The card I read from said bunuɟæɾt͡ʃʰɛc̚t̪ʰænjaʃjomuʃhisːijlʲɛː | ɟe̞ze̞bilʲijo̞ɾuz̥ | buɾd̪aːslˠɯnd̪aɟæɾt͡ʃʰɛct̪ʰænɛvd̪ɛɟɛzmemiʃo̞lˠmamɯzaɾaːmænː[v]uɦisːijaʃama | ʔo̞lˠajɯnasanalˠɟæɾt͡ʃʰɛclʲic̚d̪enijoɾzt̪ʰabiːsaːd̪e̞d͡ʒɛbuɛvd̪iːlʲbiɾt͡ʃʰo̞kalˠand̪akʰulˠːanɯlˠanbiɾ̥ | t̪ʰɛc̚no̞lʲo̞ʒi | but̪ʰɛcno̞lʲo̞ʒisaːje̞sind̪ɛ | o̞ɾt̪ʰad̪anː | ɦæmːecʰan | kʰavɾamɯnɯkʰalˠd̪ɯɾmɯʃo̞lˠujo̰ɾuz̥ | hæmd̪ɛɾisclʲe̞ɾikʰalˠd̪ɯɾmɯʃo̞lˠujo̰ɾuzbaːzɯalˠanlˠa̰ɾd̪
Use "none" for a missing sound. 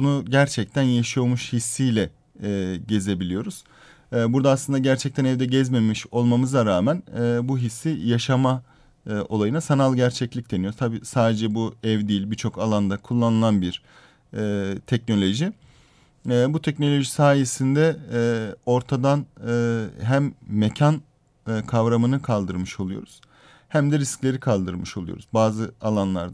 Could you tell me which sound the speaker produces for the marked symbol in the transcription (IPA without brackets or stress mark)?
b